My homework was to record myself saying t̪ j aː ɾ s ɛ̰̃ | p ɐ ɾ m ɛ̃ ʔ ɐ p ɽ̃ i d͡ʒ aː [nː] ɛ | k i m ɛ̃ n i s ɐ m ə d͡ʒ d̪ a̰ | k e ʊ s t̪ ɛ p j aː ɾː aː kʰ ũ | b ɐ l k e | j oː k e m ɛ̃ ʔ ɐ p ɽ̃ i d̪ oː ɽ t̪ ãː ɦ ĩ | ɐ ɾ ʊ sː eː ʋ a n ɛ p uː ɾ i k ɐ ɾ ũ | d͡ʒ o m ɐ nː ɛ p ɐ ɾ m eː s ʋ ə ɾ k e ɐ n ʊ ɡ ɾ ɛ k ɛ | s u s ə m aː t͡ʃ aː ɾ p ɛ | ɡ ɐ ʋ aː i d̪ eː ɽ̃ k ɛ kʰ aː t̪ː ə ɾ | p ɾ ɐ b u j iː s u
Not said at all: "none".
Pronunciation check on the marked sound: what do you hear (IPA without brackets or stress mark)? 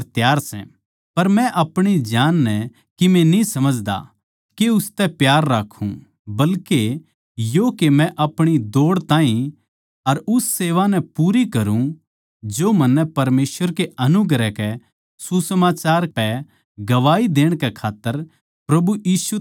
nː